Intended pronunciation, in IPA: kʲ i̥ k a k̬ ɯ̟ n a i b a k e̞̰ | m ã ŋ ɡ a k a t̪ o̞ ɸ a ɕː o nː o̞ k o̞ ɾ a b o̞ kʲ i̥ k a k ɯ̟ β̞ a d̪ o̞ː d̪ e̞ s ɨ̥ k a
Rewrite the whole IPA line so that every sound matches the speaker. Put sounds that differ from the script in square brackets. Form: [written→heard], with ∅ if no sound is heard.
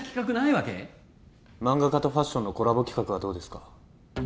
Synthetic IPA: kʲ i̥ k a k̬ ɯ̟ n a i [b→β] a k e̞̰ | m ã ŋ ɡ a k a t̪ o̞ ɸ a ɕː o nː o̞ k o̞ ɾ a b o̞ kʲ i̥ k a k ɯ̟ β̞ a d̪ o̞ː d̪ e̞ s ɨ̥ k a